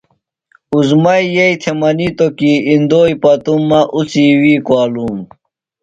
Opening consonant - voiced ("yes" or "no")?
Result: yes